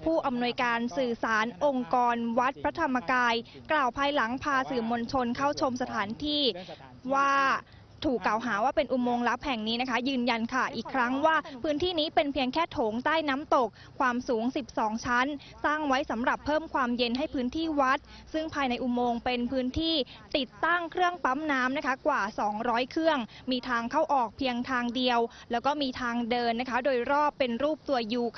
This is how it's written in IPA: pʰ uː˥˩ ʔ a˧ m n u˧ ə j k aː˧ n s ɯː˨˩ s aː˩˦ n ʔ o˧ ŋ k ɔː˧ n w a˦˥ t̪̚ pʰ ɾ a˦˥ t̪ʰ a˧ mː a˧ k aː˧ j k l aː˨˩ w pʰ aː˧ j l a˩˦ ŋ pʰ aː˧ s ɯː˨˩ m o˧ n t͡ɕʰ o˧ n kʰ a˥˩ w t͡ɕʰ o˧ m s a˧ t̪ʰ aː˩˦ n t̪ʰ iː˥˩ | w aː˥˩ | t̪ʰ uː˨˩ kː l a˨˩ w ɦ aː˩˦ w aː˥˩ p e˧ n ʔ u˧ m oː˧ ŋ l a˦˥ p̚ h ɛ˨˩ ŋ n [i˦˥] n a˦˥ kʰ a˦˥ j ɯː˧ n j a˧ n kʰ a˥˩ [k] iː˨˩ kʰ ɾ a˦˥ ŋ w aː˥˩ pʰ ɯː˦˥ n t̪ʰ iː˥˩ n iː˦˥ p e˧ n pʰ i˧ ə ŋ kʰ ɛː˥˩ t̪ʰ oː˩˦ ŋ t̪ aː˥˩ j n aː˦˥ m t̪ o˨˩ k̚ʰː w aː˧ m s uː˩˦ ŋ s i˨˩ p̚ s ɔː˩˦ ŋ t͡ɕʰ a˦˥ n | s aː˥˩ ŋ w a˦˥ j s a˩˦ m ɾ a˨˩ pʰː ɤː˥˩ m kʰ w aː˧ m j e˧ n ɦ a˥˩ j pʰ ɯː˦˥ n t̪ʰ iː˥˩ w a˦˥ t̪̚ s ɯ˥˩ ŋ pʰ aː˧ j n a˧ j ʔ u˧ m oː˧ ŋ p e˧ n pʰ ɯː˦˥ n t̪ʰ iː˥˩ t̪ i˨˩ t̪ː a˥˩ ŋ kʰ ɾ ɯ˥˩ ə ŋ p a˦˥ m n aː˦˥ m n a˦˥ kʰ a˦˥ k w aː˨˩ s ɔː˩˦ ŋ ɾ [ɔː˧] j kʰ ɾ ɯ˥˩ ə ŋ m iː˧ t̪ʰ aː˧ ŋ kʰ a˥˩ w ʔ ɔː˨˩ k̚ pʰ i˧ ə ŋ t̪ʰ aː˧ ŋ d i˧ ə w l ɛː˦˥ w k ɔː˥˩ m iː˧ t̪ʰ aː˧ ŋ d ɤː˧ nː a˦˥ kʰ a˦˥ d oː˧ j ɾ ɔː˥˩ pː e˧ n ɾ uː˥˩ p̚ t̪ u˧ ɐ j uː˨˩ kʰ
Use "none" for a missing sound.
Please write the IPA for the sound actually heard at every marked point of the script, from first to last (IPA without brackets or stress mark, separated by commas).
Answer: iː˦˥, ʔ, ɔː˦˥